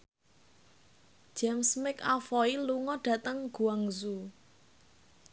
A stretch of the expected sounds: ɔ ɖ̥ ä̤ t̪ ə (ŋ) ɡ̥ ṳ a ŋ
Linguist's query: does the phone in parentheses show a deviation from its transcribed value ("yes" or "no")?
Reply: no